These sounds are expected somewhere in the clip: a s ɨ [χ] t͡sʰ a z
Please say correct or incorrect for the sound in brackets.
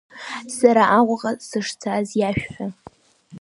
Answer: incorrect